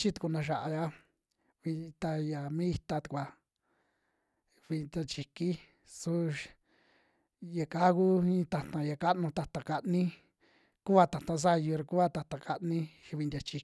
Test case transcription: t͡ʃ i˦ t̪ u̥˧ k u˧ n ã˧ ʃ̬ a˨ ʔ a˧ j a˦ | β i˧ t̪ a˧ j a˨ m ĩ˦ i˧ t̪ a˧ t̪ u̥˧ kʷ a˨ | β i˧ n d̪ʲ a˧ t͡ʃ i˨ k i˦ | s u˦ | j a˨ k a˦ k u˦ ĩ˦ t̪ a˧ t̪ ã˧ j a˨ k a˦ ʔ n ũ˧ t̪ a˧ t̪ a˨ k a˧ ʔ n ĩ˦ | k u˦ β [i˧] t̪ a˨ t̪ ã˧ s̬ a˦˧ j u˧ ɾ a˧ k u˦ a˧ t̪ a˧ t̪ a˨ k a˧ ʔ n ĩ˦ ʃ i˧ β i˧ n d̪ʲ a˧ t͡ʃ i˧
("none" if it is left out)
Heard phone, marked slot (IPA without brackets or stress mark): a˧